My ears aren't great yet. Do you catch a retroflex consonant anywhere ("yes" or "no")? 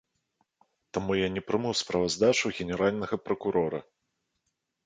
yes